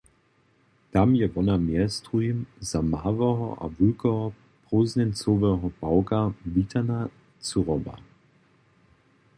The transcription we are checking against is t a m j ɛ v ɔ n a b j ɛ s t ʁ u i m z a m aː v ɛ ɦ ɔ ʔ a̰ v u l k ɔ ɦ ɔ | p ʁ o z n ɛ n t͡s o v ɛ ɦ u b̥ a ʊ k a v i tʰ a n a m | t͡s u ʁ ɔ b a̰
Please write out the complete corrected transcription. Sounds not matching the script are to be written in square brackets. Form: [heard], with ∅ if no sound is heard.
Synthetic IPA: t a m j ɛ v ɔ n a [m] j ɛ s t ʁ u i m z a m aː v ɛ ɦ ɔ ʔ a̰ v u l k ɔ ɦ ɔ | p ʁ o z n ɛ n t͡s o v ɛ ɦ [ɔ] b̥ a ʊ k a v i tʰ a n a [∅] | t͡s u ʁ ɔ b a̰